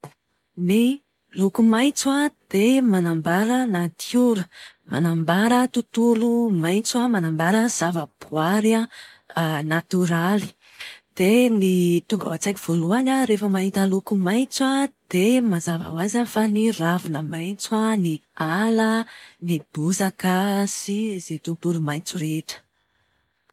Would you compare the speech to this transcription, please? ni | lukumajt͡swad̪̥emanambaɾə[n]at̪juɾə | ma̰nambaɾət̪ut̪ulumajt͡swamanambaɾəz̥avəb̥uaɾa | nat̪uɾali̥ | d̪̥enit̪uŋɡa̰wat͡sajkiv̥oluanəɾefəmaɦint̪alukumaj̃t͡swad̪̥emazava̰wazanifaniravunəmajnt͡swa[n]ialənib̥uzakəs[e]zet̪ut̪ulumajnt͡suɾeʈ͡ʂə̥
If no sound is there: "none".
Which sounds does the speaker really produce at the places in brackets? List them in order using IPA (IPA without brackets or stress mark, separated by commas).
n, n, i